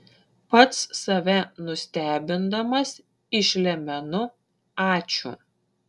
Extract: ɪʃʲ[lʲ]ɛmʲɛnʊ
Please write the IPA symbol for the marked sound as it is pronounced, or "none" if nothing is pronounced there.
lʲ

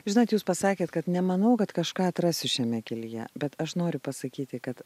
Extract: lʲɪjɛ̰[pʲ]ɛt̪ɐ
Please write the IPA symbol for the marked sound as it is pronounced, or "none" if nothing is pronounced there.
bʲ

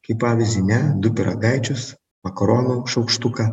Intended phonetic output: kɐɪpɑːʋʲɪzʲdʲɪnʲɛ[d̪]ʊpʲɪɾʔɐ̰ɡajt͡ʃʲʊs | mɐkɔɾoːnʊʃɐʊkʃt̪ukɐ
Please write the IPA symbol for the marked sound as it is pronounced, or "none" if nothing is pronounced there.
d̪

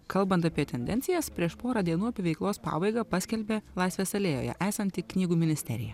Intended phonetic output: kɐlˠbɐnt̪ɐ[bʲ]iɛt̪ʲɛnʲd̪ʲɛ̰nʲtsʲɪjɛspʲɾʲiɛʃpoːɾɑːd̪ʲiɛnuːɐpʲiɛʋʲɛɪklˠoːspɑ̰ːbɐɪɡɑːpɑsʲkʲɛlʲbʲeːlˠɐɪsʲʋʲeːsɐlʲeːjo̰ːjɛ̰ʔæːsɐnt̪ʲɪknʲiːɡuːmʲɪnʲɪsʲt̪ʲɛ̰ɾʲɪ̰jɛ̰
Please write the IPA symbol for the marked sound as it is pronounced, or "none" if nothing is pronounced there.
pʲ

